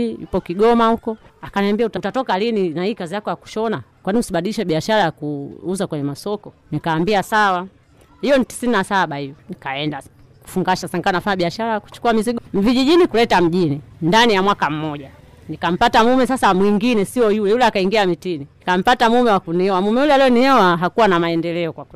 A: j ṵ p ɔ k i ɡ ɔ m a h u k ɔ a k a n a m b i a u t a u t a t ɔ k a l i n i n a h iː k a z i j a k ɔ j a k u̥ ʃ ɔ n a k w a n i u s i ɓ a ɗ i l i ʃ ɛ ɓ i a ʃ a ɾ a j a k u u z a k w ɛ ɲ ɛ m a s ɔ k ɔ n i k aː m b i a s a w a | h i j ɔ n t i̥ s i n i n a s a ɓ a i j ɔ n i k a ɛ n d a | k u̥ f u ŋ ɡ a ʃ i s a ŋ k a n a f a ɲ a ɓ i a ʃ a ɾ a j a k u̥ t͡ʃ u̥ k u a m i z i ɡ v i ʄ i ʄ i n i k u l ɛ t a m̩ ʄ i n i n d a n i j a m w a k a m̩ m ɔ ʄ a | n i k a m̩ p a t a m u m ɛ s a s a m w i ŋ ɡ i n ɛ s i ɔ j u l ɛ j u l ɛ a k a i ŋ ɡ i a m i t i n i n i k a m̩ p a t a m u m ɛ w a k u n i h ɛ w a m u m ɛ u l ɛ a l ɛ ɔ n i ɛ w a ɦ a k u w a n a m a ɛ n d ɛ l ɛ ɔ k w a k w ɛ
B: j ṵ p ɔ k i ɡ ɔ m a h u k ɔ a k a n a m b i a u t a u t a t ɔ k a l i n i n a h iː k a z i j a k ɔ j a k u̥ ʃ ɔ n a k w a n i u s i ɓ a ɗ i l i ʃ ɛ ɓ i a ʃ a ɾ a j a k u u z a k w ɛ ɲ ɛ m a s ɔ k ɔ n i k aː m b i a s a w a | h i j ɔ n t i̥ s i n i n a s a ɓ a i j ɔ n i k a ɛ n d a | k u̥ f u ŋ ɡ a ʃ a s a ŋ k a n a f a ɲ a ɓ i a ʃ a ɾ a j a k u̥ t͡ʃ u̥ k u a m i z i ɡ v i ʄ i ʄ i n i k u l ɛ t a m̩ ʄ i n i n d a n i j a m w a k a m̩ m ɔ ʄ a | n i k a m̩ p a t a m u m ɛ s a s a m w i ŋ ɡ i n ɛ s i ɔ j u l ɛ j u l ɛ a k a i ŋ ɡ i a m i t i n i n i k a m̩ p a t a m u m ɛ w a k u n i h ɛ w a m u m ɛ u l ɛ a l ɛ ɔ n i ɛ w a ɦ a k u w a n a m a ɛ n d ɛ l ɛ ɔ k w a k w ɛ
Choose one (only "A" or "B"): B